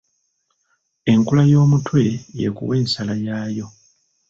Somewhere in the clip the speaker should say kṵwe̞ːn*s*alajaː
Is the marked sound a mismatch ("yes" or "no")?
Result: no